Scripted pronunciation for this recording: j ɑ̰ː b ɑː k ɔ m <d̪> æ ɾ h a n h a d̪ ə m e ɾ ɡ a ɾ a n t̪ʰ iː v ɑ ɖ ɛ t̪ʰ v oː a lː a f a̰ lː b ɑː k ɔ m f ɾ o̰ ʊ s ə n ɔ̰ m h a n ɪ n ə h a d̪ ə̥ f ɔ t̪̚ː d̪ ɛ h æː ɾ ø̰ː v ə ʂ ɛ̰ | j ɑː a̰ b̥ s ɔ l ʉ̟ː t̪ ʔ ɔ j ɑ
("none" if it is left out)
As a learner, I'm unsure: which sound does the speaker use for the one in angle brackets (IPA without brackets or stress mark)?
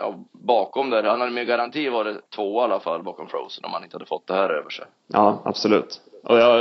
d̪